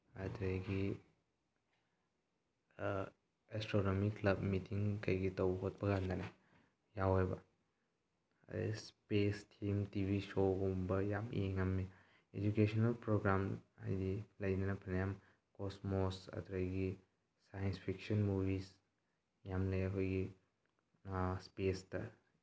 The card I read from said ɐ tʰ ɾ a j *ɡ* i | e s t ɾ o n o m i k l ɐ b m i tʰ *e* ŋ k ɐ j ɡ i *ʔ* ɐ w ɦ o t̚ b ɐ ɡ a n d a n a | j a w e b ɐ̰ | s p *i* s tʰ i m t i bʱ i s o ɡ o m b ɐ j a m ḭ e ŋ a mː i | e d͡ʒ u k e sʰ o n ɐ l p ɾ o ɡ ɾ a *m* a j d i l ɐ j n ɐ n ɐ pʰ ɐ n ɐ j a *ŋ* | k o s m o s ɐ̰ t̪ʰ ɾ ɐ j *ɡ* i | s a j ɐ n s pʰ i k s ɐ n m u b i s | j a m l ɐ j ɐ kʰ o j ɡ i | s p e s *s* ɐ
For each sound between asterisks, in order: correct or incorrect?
correct, incorrect, incorrect, incorrect, correct, incorrect, correct, incorrect

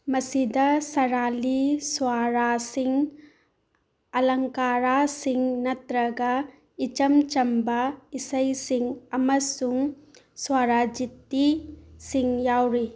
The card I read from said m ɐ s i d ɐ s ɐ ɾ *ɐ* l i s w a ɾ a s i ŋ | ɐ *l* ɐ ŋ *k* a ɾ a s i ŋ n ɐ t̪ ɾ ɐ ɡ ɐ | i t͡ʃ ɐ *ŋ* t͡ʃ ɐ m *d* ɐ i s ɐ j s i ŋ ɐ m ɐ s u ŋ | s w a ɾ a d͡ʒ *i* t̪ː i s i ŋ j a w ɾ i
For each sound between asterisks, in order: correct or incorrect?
incorrect, correct, correct, incorrect, incorrect, correct

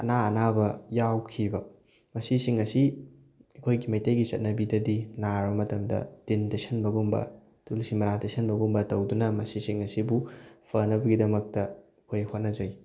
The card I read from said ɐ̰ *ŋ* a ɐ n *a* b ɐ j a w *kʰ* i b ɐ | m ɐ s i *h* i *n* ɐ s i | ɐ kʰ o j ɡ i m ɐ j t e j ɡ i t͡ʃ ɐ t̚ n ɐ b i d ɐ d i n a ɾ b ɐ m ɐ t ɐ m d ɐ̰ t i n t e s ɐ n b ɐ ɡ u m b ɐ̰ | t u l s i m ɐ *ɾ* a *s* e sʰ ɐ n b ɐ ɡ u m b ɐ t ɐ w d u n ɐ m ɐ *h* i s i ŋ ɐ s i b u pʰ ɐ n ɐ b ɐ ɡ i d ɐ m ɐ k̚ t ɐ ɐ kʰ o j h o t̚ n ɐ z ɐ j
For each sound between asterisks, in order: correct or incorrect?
incorrect, correct, correct, incorrect, incorrect, correct, incorrect, incorrect

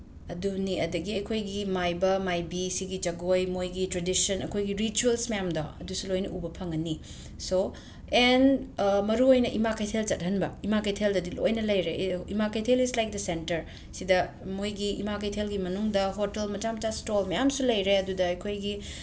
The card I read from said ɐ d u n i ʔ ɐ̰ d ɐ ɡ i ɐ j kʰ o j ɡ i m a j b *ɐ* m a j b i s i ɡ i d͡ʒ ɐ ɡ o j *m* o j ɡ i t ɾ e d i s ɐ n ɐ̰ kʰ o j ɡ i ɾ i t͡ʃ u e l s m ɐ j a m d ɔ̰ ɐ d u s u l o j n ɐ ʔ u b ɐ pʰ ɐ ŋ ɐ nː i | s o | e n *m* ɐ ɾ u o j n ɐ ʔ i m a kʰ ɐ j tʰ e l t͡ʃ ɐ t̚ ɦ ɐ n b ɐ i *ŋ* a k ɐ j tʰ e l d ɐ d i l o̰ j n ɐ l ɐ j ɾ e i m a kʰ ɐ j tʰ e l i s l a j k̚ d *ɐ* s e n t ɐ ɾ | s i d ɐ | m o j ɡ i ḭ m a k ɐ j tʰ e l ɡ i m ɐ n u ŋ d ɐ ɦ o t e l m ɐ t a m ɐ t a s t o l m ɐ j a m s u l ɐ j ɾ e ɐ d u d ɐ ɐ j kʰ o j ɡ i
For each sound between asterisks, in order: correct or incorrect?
correct, correct, correct, incorrect, correct

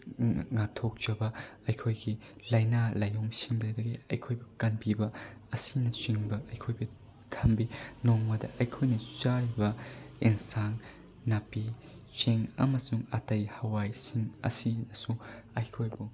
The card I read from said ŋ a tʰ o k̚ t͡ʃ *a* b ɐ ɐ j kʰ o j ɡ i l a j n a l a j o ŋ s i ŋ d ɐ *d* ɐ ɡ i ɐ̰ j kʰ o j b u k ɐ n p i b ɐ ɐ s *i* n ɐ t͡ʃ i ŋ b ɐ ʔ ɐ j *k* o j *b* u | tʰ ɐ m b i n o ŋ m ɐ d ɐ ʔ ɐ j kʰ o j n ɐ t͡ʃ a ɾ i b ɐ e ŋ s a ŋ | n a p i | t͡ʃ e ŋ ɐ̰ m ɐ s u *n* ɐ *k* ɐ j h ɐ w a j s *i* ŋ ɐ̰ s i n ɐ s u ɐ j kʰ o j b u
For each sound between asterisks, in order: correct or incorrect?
incorrect, correct, correct, incorrect, correct, incorrect, incorrect, correct

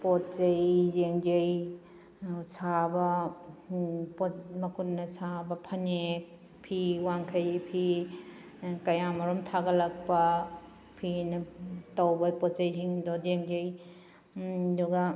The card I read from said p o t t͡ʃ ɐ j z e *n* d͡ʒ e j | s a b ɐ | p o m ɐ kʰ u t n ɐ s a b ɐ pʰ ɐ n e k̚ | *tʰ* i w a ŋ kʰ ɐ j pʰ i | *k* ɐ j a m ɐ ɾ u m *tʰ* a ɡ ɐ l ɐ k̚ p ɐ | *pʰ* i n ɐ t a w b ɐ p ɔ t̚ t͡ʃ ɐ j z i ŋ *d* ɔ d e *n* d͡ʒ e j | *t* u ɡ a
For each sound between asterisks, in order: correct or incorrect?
incorrect, incorrect, correct, correct, correct, correct, incorrect, incorrect

